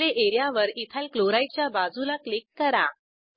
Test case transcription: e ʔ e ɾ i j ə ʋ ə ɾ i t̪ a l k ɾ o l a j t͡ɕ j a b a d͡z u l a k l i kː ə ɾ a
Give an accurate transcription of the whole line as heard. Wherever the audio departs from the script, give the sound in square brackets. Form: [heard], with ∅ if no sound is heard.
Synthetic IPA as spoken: e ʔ e ɾ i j [a] ʋ ə ɾ i [t̪ʰ] a l k [l] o [ɾ] a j t͡ɕ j a b a d͡z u l a k l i kː ə ɾ a